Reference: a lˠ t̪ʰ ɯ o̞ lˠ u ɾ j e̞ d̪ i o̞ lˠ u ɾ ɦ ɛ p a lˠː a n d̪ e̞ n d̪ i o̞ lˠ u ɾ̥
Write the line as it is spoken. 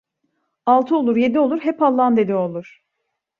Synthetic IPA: a lˠ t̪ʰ ɯ o̞ lˠ u ɾ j e̞ d̪ i o̞ lˠ u ɾ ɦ ɛ p a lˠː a n d̪ e̞ d̪ i o̞ lˠ u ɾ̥